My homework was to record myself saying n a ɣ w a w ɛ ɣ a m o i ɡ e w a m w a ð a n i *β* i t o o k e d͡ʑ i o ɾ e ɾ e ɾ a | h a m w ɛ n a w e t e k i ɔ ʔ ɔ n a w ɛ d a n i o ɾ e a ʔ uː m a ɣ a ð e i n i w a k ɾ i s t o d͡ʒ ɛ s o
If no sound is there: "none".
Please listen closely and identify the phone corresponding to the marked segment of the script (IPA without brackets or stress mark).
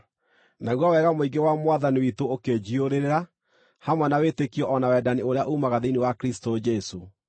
w